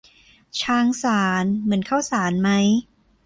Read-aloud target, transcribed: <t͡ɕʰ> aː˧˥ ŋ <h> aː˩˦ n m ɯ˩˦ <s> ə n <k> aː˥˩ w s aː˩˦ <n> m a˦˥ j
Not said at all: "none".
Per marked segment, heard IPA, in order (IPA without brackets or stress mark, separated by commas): t͡ɕʰ, s, none, kʰ, n